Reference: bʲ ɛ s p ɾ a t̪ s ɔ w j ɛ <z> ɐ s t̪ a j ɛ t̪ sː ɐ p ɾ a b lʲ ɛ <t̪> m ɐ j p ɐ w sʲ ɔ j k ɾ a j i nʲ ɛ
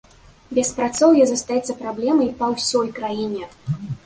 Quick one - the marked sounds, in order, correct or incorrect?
correct, incorrect: none

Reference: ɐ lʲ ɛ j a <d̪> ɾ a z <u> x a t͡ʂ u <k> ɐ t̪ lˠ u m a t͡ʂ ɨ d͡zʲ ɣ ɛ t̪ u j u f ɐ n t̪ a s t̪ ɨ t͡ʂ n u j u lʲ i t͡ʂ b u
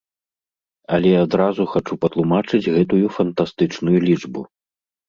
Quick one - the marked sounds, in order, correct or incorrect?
correct, correct, incorrect: p

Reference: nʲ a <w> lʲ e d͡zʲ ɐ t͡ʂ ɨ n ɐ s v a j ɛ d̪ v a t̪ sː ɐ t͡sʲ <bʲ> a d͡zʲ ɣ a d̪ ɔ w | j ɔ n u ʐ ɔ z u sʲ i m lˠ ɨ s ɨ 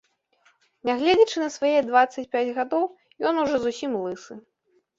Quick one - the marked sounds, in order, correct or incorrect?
incorrect: ɣ, incorrect: pʲ

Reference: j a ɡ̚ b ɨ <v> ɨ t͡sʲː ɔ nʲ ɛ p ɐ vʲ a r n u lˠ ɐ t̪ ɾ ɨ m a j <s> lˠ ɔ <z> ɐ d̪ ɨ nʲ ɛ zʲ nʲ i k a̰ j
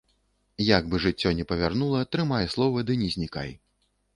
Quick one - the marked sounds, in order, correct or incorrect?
incorrect: ʐ, correct, incorrect: v

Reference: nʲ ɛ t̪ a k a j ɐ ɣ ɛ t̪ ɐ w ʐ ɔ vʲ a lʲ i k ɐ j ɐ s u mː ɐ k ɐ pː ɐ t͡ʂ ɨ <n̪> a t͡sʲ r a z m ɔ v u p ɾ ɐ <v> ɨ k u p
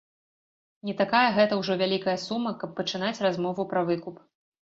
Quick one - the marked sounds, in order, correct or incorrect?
correct, correct

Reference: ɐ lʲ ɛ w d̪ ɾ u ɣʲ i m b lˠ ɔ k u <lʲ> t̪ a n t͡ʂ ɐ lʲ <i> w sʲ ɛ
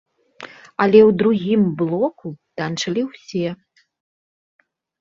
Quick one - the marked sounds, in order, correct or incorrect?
incorrect: none, correct

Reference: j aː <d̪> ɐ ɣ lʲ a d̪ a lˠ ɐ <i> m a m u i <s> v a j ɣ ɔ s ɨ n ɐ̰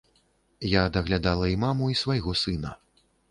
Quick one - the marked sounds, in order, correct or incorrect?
correct, correct, correct

